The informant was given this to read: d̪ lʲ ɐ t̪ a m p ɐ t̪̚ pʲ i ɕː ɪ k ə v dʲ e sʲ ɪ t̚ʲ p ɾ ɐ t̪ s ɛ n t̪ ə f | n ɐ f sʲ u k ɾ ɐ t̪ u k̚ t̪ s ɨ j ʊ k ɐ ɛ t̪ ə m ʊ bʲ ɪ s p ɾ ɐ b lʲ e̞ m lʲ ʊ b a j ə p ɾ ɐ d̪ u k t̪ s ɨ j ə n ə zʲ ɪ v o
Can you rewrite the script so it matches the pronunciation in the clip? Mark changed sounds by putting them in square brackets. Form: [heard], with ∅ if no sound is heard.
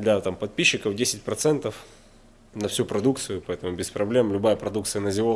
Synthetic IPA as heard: d̪ lʲ ɐ t̪ a m p ɐ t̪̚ pʲ i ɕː ɪ k ə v dʲ e sʲ ɪ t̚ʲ p ɾ ɐ t̪ s ɛ n t̪ ə f | n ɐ f sʲ u [p] ɾ ɐ [d̪] u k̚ t̪ s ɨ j ʊ [p] ɐ ɛ t̪ ə m ʊ bʲ ɪ s p ɾ ɐ b lʲ e̞ m lʲ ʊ b a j ə p ɾ ɐ d̪ u k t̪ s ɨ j ə n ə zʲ ɪ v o

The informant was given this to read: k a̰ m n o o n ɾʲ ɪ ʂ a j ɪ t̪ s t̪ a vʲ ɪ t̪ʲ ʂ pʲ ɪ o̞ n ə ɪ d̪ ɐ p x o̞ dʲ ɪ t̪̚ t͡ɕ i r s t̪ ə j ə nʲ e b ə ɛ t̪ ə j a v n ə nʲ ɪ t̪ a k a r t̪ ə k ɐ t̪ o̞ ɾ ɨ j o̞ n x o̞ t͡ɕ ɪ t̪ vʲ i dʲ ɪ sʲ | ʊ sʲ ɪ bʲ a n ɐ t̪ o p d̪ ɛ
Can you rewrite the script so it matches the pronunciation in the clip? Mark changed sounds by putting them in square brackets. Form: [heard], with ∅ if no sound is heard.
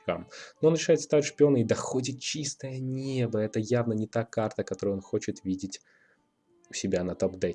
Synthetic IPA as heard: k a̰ m n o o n ɾʲ ɪ ʂ a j ɪ t̪ s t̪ a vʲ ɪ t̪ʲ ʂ pʲ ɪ o̞ n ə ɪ d̪ ɐ [∅] x o̞ dʲ ɪ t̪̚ t͡ɕ i [∅] s t̪ ə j ə nʲ e b ə ɛ t̪ ə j a v n ə nʲ ɪ t̪ a k a r t̪ ə k ɐ t̪ o̞ ɾ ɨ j o̞ n x o̞ t͡ɕ ɪ t̪ vʲ i dʲ ɪ [tʲ] | ʊ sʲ ɪ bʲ a n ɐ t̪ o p d̪ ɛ

